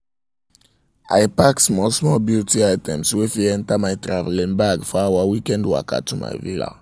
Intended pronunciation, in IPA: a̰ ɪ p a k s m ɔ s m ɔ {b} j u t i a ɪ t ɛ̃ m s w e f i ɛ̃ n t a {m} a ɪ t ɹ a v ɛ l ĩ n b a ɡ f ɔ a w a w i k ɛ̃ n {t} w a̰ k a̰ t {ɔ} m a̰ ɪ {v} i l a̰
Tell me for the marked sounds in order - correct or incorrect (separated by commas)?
correct, correct, incorrect, incorrect, correct